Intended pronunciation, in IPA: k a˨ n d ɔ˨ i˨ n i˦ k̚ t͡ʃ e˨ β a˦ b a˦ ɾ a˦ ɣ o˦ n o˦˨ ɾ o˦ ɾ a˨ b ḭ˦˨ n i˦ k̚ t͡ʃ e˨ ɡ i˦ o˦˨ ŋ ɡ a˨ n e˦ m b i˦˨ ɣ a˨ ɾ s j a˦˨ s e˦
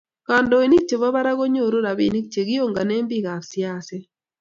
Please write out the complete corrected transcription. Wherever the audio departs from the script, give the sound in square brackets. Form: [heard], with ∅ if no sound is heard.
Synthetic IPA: k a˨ n d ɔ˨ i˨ n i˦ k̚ t͡ʃ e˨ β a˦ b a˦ ɾ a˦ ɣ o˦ [ɲ] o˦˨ ɾ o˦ ɾ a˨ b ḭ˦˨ n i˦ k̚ t͡ʃ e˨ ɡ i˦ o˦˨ ŋ ɡ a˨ n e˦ m b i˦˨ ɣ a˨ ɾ s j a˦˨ s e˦